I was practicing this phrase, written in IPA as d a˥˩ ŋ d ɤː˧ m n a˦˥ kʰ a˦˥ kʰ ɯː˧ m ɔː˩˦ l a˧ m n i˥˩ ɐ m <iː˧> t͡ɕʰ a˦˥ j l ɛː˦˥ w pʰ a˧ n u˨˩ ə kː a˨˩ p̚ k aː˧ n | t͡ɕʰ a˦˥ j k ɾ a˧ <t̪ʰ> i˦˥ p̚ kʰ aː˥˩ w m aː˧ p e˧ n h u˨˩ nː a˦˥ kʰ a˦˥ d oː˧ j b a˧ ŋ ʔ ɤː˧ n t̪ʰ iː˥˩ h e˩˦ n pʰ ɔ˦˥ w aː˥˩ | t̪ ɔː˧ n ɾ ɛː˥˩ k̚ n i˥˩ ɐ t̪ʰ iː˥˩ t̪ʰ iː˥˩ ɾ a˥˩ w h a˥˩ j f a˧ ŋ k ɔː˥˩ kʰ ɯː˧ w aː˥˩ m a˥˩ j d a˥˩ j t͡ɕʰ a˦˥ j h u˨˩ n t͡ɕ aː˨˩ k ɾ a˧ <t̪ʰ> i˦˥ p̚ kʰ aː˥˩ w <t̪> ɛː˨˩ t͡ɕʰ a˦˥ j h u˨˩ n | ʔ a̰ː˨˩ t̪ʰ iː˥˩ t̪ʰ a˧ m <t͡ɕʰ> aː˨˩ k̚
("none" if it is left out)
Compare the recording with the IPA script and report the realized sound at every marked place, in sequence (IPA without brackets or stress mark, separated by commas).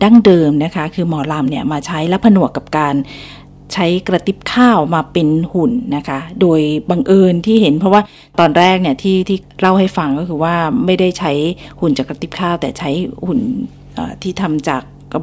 aː˧, t̪, t̪, t̪, t͡ɕ